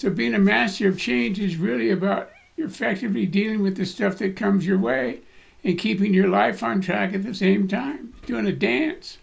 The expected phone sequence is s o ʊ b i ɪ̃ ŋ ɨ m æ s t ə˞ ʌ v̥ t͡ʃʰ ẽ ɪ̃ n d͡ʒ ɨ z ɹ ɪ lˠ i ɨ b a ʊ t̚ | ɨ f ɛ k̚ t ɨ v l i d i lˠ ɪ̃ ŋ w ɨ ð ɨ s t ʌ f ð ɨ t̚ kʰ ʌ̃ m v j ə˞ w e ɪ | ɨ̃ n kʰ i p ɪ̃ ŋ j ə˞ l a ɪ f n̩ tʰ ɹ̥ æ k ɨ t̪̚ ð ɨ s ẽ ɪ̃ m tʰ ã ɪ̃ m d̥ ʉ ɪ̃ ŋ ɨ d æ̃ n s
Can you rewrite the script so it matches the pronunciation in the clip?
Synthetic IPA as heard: s o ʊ b i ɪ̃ ŋ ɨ m æ s t ə˞ ʌ v̥ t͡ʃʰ ẽ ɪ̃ n d͡ʒ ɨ z ɹ ɪ lˠ i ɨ b a ʊ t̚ | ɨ f ɛ k̚ t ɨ v l i d i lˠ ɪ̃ ŋ w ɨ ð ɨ s t ʌ f ð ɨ t̚ kʰ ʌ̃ m z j ə˞ w e ɪ | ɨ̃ n kʰ i p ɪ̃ ŋ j ə˞ l a ɪ f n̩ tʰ ɹ̥ æ k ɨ t̪̚ ð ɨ s ẽ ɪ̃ m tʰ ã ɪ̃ m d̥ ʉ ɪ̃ ŋ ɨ d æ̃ n s